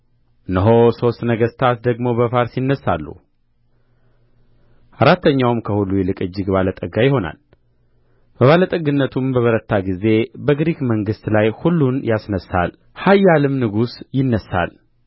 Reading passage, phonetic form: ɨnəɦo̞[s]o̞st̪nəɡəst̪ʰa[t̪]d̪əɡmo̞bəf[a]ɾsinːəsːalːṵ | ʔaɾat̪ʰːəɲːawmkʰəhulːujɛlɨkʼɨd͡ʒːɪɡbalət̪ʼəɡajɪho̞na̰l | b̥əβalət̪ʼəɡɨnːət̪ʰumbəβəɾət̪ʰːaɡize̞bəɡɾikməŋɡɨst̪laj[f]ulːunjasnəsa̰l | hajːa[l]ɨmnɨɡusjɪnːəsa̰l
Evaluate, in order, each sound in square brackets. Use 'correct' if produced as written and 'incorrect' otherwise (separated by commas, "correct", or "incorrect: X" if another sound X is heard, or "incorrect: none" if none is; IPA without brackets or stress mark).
correct, correct, correct, incorrect: h, correct